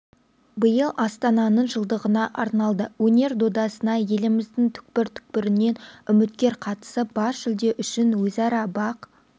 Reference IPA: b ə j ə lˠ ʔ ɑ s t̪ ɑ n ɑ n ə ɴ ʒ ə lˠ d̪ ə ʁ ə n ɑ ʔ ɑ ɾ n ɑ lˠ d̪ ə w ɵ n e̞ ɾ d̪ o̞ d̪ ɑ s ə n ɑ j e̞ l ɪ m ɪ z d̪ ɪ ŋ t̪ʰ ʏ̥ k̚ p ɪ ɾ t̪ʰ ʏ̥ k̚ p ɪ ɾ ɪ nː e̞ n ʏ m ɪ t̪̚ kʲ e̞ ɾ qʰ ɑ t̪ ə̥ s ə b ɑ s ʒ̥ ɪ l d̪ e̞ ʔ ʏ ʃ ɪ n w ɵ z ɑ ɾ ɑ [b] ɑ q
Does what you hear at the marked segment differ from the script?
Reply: no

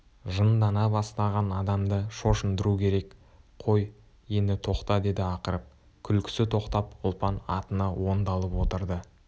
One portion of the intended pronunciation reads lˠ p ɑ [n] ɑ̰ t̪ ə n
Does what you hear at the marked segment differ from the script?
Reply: no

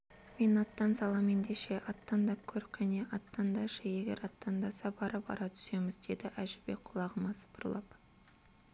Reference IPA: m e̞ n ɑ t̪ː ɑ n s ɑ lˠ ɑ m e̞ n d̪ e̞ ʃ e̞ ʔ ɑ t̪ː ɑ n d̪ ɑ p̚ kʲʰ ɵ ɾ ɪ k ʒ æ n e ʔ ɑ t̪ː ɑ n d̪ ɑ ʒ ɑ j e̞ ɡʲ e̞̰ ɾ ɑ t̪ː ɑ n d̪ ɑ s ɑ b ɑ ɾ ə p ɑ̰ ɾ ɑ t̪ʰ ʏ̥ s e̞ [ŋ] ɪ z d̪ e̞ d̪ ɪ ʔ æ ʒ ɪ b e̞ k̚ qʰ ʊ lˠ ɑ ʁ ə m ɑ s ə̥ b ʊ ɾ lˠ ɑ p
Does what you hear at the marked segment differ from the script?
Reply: yes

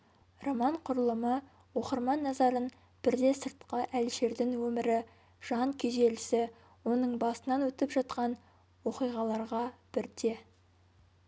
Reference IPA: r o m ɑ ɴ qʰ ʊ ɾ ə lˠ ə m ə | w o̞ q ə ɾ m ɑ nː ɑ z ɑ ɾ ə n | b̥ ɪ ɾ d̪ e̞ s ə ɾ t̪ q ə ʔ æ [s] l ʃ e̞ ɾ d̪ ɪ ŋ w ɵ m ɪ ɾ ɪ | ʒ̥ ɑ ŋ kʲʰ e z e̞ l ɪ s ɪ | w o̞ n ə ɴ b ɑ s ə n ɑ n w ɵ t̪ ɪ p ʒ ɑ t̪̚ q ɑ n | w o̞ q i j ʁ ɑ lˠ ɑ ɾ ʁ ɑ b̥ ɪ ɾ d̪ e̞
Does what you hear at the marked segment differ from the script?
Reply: yes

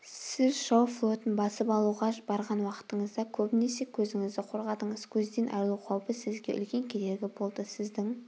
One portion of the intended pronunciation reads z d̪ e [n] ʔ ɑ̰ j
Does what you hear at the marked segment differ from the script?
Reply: no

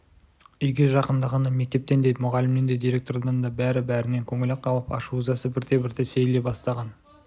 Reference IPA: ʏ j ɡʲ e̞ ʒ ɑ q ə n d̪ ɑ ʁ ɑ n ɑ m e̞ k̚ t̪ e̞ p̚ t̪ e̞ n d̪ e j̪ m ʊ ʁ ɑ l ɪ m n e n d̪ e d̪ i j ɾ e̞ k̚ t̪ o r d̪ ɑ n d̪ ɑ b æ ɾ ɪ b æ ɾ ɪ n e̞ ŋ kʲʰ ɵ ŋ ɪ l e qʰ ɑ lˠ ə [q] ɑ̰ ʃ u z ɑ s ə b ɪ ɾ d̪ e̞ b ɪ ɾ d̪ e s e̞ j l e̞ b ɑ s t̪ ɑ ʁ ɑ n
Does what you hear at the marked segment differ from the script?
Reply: yes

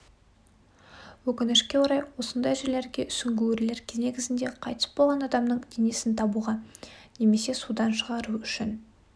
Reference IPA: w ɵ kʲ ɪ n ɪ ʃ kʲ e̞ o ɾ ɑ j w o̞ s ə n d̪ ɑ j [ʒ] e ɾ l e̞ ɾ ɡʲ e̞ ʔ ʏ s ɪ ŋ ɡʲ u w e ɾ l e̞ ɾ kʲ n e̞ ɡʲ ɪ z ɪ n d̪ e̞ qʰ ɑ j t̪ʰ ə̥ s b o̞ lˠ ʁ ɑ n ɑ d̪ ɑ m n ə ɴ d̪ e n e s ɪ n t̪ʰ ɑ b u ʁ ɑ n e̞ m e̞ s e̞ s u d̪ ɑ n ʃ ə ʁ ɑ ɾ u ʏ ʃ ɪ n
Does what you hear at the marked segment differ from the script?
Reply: no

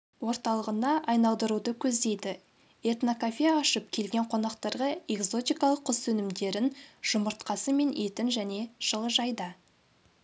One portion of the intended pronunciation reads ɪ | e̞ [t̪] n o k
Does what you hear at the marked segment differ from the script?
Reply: no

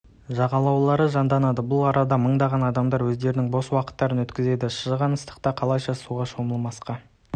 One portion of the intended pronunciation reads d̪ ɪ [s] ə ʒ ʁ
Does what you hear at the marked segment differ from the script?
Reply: yes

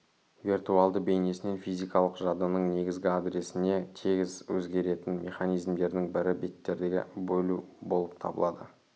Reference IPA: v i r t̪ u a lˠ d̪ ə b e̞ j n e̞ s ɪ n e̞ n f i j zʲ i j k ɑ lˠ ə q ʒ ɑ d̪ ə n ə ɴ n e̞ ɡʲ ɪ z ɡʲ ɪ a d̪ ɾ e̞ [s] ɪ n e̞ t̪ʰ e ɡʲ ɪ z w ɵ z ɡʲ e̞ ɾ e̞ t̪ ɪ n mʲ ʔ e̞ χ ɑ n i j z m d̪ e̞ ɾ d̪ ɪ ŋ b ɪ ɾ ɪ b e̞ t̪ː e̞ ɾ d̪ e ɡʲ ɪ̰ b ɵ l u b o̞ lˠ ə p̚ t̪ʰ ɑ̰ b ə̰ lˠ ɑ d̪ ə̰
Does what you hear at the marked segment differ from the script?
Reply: no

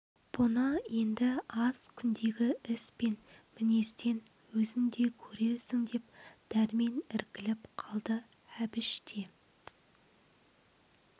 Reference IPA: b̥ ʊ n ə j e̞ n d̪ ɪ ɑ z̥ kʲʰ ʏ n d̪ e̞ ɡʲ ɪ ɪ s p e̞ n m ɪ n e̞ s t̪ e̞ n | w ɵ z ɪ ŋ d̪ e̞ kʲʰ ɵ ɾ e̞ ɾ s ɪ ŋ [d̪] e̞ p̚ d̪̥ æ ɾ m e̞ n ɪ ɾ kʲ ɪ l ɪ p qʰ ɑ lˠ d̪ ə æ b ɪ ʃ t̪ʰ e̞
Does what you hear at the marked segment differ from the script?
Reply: no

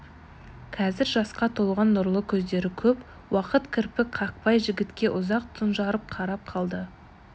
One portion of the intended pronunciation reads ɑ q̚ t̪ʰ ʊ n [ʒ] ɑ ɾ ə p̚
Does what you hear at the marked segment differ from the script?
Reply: no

